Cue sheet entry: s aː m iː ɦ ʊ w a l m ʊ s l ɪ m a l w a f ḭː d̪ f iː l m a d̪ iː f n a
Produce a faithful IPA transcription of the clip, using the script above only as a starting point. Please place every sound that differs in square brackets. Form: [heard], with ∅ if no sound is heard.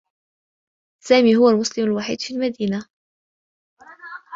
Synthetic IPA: s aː m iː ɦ ʊ w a l m ʊ s l ɪ m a l w a [ħ] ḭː d̪ f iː l m a d̪ iː [∅] n a